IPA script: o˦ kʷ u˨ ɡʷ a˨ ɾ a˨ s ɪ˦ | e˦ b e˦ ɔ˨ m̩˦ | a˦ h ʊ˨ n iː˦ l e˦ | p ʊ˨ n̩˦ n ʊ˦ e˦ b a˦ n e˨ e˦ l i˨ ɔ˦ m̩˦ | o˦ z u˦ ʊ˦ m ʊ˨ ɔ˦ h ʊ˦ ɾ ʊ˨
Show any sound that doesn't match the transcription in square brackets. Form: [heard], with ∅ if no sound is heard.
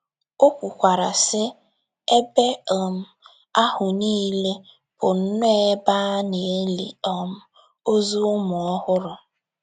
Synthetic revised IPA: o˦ kʷ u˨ [kʷ] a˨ ɾ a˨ s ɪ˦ | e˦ b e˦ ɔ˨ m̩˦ | a˦ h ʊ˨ n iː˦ l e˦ | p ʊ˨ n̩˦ n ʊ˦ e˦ b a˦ n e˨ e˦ l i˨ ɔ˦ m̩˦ | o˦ z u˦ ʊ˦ m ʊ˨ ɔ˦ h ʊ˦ ɾ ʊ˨